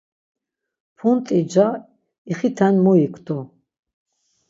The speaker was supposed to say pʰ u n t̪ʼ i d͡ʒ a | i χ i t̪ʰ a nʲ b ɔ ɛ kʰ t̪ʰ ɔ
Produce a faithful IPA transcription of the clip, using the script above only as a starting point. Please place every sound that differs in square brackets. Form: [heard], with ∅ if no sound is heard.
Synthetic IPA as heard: pʰ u n t̪ʼ i d͡ʒ a | i χ i t̪ʰ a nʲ [m] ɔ [i] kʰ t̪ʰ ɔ